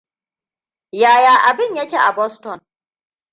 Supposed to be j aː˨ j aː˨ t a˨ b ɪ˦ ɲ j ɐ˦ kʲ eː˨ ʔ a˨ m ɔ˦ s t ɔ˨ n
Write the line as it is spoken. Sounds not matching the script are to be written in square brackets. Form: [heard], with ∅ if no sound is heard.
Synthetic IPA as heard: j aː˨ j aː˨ [ʔ] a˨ b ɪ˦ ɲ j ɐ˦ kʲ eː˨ ʔ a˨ [b] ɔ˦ s t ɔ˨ n